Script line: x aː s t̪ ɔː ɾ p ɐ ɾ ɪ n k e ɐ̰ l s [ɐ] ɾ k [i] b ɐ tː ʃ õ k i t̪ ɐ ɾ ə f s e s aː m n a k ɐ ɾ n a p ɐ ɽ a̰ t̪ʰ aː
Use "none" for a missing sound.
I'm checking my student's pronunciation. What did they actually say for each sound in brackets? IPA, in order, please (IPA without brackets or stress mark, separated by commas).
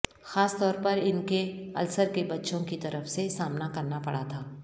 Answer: ə, e